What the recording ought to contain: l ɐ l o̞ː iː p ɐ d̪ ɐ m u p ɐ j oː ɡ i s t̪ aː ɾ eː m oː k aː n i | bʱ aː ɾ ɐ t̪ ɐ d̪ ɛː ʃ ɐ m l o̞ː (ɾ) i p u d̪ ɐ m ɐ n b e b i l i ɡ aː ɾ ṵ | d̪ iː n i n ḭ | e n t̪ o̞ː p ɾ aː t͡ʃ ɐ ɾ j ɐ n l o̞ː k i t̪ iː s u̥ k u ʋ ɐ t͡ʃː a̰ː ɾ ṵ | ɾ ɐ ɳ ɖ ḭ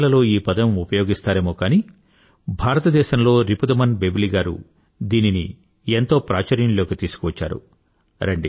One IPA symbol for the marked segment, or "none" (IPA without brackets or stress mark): ɾ